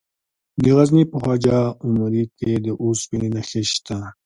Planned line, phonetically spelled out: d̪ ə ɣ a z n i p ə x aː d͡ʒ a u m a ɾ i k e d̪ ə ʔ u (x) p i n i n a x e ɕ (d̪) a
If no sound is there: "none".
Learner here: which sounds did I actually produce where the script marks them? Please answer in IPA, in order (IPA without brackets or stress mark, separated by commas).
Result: s, t̪